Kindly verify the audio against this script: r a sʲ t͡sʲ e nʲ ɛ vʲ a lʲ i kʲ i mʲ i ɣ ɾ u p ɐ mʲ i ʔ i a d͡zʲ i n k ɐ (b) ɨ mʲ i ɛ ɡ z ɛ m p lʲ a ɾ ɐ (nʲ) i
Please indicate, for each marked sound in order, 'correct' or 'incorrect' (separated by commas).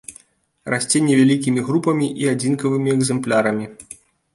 incorrect, incorrect